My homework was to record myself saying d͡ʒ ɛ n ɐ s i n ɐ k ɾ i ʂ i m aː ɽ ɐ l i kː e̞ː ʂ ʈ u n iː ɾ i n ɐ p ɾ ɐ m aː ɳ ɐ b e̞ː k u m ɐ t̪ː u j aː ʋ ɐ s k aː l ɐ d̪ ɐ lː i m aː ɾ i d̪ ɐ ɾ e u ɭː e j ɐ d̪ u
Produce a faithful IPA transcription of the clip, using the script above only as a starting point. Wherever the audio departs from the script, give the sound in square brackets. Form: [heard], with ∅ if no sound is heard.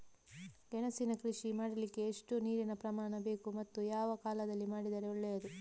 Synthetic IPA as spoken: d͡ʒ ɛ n ɐ s i n ɐ k ɾ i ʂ i m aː ɽ ɐ l i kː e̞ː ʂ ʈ u n iː ɾ i n ɐ p ɾ ɐ m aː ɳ ɐ b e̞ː k u m ɐ t̪ː u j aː ʋ ɐ [∅] k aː l ɐ d̪ ɐ lː i m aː [ɽ] i d̪ ɐ ɾ e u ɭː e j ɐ d̪ u